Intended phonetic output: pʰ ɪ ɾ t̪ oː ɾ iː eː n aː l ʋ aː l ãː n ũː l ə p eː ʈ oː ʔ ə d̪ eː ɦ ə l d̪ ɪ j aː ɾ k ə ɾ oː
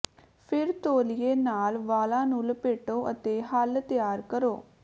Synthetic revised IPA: pʰ ɪ ɾ t̪ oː l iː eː n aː l ʋ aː l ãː n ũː l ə p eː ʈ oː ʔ ə t̪ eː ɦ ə l t̪ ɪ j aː ɾ k ə ɾ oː